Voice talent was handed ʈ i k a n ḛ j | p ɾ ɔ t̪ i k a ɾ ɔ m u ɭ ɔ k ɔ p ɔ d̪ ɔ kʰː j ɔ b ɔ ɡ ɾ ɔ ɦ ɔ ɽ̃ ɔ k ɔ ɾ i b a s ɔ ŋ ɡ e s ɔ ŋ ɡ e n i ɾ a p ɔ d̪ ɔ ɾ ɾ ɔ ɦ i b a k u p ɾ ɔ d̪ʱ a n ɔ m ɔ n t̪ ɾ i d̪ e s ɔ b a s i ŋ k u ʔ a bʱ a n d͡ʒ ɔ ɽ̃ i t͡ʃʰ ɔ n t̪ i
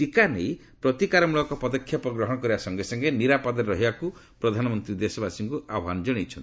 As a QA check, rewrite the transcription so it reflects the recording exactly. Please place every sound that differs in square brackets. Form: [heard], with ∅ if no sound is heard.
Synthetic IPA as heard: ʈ i k a n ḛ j | p ɾ ɔ t̪ i k a ɾ ɔ m u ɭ ɔ k ɔ p ɔ d̪ ɔ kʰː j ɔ [p] ɔ ɡ ɾ ɔ ɦ ɔ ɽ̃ ɔ k ɔ ɾ i b a s ɔ ŋ ɡ e s ɔ ŋ ɡ e n i ɾ a p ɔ d̪ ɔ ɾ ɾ ɔ ɦ i b a k u p ɾ ɔ d̪ʱ a n ɔ m ɔ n t̪ ɾ i d̪ e s ɔ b a s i ŋ k u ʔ a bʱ a n d͡ʒ ɔ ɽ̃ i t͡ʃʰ ɔ n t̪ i